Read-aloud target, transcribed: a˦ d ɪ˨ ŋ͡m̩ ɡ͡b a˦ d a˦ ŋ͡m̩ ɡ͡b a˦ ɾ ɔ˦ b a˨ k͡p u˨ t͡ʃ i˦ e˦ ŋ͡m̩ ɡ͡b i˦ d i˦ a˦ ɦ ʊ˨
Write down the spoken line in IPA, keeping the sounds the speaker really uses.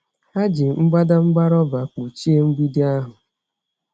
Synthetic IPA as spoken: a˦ d͡ʒ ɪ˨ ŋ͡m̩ ɡ͡b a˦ d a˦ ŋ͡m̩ ɡ͡b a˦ ɾ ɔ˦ b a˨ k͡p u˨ t͡ʃ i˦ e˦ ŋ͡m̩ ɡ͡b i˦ d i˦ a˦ ɦ ʊ˨